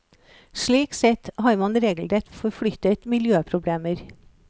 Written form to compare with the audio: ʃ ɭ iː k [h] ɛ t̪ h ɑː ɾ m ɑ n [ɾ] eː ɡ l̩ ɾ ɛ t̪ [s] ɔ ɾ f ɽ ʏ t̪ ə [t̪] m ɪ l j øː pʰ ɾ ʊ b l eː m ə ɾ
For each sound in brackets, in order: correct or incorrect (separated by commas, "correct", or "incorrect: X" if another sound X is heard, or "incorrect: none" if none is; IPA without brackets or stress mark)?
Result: incorrect: s, correct, incorrect: f, correct